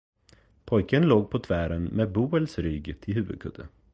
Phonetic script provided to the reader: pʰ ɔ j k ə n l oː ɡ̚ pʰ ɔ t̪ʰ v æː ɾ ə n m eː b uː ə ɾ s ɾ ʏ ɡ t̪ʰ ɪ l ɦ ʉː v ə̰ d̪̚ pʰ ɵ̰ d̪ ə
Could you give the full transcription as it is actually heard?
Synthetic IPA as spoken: pʰ ɔ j k ə n l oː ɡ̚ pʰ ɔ t̪ʰ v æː ɾ ə n m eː b uː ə l s ɾ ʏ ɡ t̪ʰ ɪ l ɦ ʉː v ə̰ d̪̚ kʰ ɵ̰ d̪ ə